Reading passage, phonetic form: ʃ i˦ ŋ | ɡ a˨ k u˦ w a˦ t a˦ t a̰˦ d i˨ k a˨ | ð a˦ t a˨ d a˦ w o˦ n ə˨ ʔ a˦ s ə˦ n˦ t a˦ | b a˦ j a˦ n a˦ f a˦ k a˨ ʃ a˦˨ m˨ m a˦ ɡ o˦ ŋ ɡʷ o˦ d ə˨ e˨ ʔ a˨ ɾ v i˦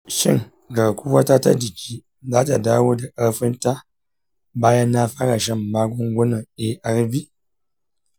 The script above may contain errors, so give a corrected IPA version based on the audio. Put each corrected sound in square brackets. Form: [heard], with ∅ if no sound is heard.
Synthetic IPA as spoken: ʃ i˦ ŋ | ɡ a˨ k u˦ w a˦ t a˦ t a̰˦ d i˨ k [i˨] | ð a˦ t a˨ d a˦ w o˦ [d] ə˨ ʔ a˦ [f] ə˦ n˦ t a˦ | b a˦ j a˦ n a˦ f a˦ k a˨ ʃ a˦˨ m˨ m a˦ ɡ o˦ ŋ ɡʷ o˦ [n] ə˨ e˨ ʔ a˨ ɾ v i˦